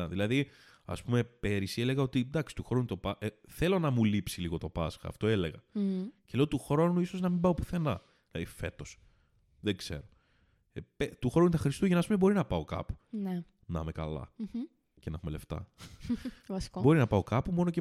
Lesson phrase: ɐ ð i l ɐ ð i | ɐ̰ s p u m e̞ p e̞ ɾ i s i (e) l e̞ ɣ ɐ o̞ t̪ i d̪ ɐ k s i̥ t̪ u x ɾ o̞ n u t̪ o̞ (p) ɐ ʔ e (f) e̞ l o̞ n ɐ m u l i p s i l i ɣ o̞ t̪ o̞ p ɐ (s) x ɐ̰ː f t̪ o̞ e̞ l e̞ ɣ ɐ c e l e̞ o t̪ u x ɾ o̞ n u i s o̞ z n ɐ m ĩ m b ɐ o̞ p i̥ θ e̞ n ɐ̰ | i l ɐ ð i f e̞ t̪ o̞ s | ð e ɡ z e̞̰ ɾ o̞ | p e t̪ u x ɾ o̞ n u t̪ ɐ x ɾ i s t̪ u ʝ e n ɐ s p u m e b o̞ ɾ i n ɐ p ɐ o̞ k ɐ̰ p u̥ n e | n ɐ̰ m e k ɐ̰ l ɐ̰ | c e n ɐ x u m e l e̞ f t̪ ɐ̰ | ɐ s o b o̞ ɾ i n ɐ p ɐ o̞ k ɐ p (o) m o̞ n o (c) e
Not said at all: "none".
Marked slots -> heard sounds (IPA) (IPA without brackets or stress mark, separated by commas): e, p, θ, s, u, c